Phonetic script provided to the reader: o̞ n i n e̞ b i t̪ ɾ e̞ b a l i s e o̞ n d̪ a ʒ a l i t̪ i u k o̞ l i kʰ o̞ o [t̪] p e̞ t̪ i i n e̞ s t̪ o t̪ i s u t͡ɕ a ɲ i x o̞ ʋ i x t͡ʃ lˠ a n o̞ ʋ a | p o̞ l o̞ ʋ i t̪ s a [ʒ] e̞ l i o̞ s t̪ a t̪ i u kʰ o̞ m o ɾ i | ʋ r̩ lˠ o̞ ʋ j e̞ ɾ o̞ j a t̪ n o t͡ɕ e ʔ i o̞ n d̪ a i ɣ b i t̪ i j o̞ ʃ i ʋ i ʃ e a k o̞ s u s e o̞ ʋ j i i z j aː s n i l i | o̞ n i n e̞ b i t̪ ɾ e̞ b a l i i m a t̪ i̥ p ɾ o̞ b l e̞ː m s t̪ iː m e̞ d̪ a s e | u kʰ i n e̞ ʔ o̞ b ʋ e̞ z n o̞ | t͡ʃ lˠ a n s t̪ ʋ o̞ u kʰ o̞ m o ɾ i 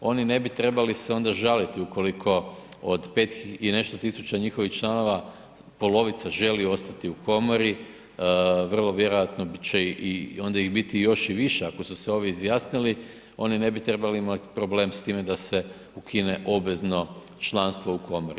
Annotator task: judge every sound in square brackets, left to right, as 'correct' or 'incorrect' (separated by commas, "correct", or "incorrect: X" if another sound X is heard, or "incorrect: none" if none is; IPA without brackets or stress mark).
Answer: incorrect: d̪, correct